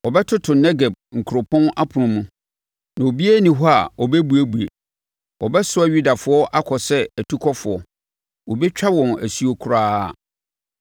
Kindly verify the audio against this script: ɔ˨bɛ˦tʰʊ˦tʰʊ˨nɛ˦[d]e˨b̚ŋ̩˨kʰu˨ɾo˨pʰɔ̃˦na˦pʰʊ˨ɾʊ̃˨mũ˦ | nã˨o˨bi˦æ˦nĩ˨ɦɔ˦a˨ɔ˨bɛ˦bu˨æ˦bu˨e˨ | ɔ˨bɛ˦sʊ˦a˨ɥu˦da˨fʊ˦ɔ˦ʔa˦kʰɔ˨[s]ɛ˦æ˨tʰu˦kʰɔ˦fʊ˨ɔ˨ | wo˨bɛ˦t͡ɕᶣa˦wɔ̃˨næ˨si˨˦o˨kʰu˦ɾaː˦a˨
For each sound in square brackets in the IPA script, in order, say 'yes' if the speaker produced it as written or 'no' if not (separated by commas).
no, yes